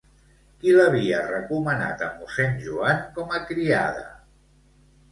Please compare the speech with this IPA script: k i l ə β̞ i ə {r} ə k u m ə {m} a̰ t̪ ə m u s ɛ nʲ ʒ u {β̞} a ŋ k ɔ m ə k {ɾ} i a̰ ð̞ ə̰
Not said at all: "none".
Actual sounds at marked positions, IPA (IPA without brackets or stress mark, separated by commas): r, n, none, ɾ